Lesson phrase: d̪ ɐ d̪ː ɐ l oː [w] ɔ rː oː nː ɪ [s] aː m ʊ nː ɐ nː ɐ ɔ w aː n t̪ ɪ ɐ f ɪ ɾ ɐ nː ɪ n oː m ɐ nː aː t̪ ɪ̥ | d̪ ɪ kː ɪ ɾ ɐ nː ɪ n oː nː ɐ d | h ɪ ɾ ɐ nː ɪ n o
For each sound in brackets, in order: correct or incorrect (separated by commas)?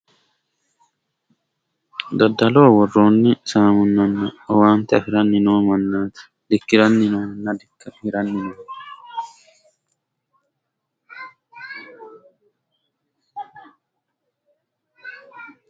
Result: correct, correct